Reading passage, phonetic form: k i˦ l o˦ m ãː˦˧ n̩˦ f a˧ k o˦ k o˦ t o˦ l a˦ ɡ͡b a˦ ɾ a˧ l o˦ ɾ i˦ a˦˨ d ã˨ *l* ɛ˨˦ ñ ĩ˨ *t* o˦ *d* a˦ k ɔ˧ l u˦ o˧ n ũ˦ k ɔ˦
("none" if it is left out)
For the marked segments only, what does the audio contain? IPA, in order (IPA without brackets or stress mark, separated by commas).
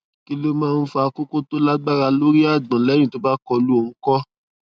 l, t, b